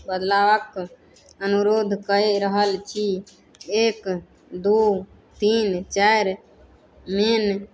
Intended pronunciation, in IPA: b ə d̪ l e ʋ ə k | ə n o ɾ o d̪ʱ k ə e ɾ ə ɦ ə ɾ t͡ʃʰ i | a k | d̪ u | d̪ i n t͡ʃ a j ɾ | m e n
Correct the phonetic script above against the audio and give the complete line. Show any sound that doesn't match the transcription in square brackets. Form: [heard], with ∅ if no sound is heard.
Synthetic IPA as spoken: b ə d̪ l [a] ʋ ə k | ə n [u] ɾ o d̪ʱ k ə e ɾ ə ɦ ə [l] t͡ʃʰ i | [e] k | d̪ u | [t̪] i n t͡ʃ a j ɾ | m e n

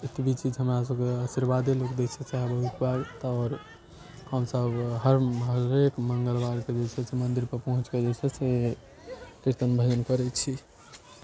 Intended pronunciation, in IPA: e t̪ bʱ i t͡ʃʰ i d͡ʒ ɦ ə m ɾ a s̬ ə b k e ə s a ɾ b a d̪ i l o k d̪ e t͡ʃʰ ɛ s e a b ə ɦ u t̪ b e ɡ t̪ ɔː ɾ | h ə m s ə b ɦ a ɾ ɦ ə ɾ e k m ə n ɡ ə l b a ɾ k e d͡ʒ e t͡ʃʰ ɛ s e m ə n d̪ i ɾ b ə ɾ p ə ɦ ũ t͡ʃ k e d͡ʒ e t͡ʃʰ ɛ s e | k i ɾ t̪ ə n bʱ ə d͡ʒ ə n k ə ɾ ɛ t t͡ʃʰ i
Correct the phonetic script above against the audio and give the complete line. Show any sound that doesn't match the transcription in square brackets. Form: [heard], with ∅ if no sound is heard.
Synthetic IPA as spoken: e t̪ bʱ i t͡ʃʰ i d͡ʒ ɦ ə m ɾ a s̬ ə b k e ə s [i] ɾ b a d̪ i l o k d̪ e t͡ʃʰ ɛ s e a b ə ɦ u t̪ b [a] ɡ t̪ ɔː ɾ | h ə m s ə b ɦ [ə] ɾ ɦ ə ɾ e k m ə [ŋ] ɡ ə l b a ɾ k e d͡ʒ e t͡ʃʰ ɛ s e m ə n d̪ i ɾ [p] ə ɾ p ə ɦ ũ t͡ʃ k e d͡ʒ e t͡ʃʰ ɛ s e | k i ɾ t̪ ə n bʱ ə d͡ʒ ə n k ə ɾ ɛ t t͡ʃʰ i

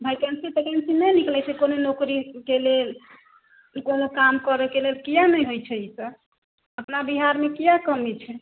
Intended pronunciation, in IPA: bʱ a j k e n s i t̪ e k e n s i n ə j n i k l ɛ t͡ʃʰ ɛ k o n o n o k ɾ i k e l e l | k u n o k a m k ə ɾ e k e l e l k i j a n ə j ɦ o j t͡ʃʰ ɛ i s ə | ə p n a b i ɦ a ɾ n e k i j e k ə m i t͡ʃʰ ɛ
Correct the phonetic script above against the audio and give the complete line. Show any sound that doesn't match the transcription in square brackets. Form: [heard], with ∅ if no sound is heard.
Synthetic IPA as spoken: bʱ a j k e n s i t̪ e k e n s i n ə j n i k l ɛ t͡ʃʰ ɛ k o n o n o k ɾ i k e l e l | k [o] n o k a m k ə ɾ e k e l e l k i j a n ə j ɦ o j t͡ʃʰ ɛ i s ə | ə p n a b i ɦ a ɾ [m] e k i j [a] k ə m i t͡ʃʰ ɛ

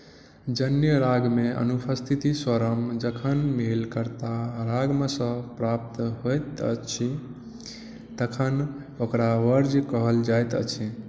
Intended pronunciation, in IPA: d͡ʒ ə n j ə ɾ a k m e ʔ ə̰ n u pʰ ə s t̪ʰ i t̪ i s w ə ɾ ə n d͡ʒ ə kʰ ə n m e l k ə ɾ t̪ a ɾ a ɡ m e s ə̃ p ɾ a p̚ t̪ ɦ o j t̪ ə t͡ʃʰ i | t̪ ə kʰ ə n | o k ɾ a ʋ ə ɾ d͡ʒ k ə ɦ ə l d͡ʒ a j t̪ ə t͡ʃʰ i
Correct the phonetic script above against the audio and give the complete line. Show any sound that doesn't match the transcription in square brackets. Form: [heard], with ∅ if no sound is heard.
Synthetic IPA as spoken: d͡ʒ ə n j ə ɾ a [ɡ] m e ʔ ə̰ n u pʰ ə s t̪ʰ i t̪ i s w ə ɾ ə [m] d͡ʒ ə kʰ ə n m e l k ə ɾ t̪ a ɾ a ɡ m e s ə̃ p ɾ a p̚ t̪ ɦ o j t̪ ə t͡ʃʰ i | t̪ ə kʰ ə n | o k ɾ a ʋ ə ɾ d͡ʒ k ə ɦ ə l d͡ʒ a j t̪ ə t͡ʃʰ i

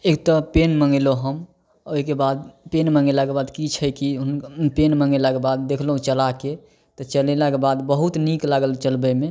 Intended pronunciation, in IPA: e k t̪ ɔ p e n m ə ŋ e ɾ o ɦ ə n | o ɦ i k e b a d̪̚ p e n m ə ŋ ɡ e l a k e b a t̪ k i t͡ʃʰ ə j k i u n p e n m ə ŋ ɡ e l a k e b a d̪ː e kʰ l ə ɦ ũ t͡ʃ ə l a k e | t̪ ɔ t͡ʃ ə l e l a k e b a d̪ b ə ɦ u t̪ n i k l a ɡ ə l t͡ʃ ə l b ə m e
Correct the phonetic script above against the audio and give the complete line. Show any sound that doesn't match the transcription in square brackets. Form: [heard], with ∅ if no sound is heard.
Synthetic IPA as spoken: e k t̪ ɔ p e n m ə ŋ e [l] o ɦ ə [m] | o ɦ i k e b a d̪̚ p e n m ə ŋ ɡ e l a k e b a [d̪] k i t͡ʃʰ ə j k i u n p e n m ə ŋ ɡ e l a k e b a d̪ː e kʰ l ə ɦ ũ t͡ʃ ə l a k e | t̪ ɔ t͡ʃ ə l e l a k e b a d̪ b ə ɦ u t̪ n i k l a ɡ ə l t͡ʃ ə l b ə m e

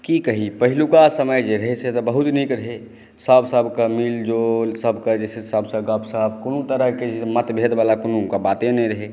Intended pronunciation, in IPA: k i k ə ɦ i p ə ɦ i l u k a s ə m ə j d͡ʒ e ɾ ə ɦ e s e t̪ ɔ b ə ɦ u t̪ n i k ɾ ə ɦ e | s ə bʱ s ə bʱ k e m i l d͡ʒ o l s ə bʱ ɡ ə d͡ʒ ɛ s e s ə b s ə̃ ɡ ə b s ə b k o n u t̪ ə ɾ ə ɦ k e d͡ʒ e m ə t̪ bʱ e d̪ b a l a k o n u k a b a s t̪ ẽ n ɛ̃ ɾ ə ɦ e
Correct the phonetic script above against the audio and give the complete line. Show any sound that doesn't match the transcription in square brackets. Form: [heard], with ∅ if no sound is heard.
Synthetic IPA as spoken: k i k ə ɦ i p ə ɦ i l u k a s ə m ə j d͡ʒ e ɾ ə ɦ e s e t̪ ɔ b ə ɦ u t̪ n i k ɾ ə ɦ e | s ə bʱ s ə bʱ k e m i l d͡ʒ o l s ə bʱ [k] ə d͡ʒ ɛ s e s ə b s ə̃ ɡ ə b s ə b k o n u t̪ ə ɾ ə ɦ k e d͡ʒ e m ə t̪ bʱ e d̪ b a l a k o n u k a b a [∅] t̪ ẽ n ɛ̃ ɾ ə ɦ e

